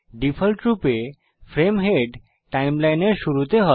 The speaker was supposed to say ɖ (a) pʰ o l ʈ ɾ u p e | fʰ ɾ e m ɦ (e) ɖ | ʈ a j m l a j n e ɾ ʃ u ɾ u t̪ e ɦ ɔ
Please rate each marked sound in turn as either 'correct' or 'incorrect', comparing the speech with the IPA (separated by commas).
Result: incorrect, correct